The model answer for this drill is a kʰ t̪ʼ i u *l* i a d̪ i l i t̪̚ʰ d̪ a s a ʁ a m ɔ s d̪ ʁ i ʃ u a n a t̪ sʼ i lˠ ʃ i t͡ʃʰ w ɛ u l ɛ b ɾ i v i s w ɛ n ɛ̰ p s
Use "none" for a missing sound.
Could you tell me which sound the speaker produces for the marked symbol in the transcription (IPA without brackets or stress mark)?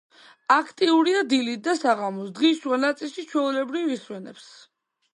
ɾ